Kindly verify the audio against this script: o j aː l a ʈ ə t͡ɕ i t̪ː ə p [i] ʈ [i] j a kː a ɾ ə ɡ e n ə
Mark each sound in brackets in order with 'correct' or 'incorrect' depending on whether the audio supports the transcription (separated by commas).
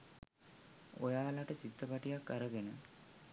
incorrect, correct